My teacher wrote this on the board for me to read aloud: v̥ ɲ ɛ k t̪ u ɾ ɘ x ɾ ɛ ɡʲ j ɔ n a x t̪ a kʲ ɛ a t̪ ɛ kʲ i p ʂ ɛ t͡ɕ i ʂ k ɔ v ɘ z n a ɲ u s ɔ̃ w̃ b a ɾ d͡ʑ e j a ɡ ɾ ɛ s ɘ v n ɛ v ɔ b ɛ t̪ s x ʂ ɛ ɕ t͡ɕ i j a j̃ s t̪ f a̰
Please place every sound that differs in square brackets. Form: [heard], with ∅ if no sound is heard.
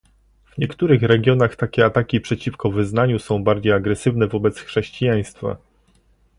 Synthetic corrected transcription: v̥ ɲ ɛ k t̪ u ɾ ɘ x ɾ ɛ ɡʲ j ɔ n a x t̪ a kʲ ɛ a t̪ [a] kʲ i p ʂ ɛ t͡ɕ i [f] k ɔ v ɘ z n a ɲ u s ɔ̃ w̃ b a ɾ d͡ʑ e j a ɡ ɾ ɛ s ɘ v n ɛ v ɔ b ɛ t̪ s x ʂ ɛ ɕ t͡ɕ i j a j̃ s t̪ f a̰

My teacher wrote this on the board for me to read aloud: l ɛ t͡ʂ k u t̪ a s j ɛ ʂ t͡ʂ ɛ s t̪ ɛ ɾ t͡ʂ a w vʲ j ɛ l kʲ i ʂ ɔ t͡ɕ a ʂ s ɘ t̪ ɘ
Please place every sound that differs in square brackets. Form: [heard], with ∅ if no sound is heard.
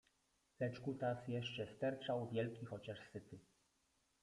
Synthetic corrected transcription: l ɛ t͡ʂ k u t̪ a s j ɛ ʂ t͡ʂ ɛ s t̪ ɛ ɾ t͡ʂ a w vʲ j ɛ l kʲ i [x] ɔ t͡ɕ a ʂ s ɘ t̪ ɘ

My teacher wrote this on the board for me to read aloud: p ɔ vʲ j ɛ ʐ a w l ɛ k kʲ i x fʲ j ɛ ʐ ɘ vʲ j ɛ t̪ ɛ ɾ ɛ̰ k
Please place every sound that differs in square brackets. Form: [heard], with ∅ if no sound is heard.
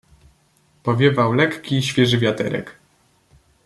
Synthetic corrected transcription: p ɔ vʲ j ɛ [v] a w l ɛ k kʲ i [ɕ] fʲ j ɛ ʐ ɘ vʲ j [a] t̪ ɛ ɾ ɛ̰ k

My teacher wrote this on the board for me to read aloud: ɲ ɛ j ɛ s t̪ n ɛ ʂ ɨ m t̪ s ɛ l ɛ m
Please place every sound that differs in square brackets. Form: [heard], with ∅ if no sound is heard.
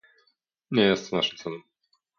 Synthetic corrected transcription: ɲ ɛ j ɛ s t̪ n [a] ʂ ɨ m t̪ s ɛ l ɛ m

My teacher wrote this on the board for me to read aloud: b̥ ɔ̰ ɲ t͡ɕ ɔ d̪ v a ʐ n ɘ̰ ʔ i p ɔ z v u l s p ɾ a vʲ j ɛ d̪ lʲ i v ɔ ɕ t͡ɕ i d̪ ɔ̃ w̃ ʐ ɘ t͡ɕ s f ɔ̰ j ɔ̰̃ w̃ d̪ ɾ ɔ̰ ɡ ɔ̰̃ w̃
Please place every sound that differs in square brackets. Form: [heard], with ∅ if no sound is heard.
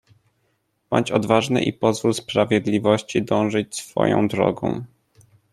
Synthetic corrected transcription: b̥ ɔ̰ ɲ t͡ɕ ɔ d̪ v a ʐ n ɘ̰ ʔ i p ɔ z v u l s p ɾ a vʲ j ɛ d̪ lʲ i v ɔ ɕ t͡ɕ i d̪ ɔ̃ w̃ ʐ ɘ t͡ɕ s f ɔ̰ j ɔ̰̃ w̃ d̪ ɾ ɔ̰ ɡ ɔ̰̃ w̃

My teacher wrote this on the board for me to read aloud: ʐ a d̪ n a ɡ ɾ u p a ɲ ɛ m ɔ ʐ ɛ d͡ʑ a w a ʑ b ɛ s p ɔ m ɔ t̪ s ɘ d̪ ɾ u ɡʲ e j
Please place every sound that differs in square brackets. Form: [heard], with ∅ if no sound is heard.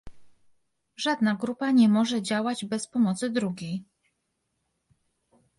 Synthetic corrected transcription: ʐ a d̪ n a ɡ ɾ u p a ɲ ɛ m ɔ ʐ ɛ d͡ʑ a w a [d͡ʑ] b ɛ s p ɔ m ɔ t̪ s ɘ d̪ ɾ u ɡʲ e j

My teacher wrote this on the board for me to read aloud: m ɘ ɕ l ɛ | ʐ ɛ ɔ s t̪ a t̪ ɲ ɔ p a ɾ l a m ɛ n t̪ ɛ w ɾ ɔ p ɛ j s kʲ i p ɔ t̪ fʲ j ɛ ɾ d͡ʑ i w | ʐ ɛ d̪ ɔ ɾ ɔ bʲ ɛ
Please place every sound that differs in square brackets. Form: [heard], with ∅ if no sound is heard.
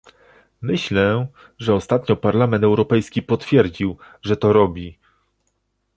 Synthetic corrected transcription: m ɘ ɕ l ɛ | ʐ ɛ ɔ s t̪ a t̪ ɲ ɔ p a ɾ l a m ɛ n t̪ ɛ w ɾ ɔ p ɛ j s kʲ i p ɔ t̪ fʲ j ɛ ɾ d͡ʑ i w | ʐ ɛ [t̪] ɔ ɾ ɔ bʲ [i]

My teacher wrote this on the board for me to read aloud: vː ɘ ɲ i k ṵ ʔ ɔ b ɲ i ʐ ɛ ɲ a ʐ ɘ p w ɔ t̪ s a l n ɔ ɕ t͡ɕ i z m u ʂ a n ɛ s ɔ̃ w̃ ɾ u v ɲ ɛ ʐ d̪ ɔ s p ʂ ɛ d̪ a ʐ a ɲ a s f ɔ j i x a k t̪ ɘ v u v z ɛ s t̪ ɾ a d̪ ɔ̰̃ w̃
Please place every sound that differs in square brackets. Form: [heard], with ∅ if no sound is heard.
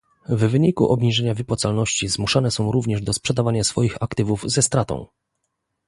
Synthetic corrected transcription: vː ɘ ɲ i k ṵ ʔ ɔ b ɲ i ʐ ɛ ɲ a [v] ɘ p w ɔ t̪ s a l n ɔ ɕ t͡ɕ i z m u ʂ a n ɛ s ɔ̃ w̃ ɾ u v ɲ ɛ ʐ d̪ ɔ s p ʂ ɛ d̪ a [v] a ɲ a s f ɔ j i x a k t̪ ɘ v u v z ɛ s t̪ ɾ a [t̪] ɔ̰̃ w̃

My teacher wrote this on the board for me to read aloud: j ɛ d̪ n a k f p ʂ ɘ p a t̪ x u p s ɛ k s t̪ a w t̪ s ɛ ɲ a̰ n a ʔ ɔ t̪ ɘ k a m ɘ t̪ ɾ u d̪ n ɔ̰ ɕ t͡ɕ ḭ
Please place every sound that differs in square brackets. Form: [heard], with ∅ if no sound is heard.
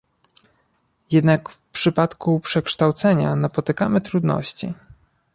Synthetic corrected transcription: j ɛ d̪ n a k f p ʂ ɘ p a t̪ [k] u p [ʂ] ɛ k [ʂ] t̪ a w t̪ s ɛ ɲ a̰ n a [p] ɔ t̪ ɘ k a m ɘ t̪ ɾ u d̪ n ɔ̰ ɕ t͡ɕ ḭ

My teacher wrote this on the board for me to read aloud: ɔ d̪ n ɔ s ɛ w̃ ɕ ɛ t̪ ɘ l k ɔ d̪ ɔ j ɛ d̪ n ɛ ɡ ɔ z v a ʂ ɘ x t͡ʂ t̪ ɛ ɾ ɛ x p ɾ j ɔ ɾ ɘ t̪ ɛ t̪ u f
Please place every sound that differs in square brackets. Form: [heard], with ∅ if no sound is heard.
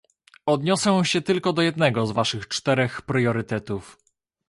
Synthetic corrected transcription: ɔ d̪ [ɲ] ɔ s ɛ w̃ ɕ ɛ t̪ ɘ l k ɔ d̪ ɔ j ɛ d̪ n ɛ ɡ ɔ z v a ʂ ɘ x t͡ʂ t̪ ɛ ɾ ɛ x p ɾ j ɔ ɾ ɘ t̪ ɛ t̪ u f

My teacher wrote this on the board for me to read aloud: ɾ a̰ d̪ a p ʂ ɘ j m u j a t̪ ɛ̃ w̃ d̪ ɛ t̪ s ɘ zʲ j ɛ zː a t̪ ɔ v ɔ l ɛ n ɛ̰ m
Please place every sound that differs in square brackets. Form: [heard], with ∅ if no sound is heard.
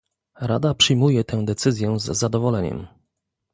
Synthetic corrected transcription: ɾ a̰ d̪ a p ʂ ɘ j m u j [ɛ] t̪ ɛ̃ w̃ d̪ ɛ t̪ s ɘ zʲ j ɛ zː a [d̪] ɔ v ɔ l ɛ [ɲ] ɛ̰ m

